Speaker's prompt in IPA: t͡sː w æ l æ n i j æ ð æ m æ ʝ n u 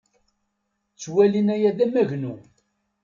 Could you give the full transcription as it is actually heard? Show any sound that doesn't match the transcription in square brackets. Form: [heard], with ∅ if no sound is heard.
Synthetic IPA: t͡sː w æ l [i] n [æ] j æ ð æ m æ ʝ n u